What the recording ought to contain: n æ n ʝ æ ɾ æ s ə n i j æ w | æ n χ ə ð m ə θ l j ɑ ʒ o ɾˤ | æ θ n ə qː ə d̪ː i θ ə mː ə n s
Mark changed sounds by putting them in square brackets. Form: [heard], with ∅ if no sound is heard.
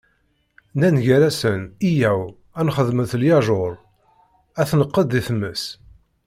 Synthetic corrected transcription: n æ n ʝ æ ɾ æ s ə n i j æ w | æ n χ ə ð m ə θ l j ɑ ʒ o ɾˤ | æ θ n ə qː ə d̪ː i θ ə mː ə [∅] s